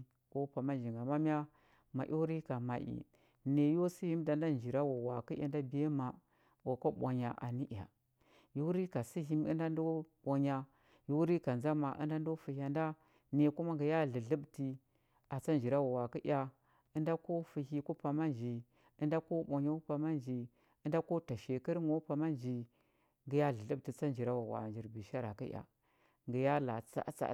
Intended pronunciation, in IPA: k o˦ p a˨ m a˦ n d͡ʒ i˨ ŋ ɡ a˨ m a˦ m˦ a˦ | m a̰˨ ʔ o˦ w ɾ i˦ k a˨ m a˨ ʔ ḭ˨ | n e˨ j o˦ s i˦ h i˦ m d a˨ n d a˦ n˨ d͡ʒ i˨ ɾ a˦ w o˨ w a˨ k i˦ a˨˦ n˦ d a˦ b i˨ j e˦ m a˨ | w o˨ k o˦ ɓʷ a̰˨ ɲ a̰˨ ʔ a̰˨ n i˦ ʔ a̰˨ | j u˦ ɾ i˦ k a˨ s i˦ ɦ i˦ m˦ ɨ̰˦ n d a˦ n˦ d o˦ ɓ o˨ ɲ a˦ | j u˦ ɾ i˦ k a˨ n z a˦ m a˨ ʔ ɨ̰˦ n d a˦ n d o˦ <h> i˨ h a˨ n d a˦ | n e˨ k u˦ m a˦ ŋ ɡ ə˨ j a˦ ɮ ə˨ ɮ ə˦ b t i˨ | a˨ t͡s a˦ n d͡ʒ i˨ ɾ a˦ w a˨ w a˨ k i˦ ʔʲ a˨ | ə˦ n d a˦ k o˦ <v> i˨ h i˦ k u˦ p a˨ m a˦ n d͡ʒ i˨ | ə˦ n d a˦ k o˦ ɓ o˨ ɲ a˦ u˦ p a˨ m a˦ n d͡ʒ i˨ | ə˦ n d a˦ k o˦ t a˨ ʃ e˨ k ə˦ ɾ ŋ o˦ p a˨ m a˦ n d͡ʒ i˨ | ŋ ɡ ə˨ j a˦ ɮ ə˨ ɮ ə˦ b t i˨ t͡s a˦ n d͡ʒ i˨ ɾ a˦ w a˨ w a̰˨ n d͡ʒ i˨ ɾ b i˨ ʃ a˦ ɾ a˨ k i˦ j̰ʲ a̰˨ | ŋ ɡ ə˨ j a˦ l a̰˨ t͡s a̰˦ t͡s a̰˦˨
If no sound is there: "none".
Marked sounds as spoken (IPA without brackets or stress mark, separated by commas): f, f